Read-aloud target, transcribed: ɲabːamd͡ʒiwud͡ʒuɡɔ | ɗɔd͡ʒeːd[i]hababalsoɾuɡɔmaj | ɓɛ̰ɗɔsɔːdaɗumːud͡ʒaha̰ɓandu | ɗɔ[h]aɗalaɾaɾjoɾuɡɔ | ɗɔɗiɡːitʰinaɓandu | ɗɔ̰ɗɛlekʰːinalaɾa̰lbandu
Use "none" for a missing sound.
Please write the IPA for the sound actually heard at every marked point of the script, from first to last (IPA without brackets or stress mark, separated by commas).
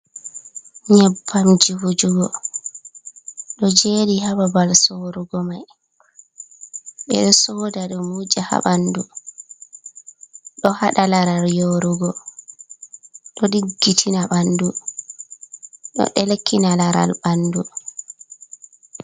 i, h